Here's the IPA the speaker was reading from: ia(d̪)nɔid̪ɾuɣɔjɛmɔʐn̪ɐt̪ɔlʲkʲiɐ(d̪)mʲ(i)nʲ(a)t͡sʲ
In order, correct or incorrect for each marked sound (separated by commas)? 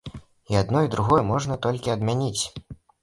correct, correct, incorrect, incorrect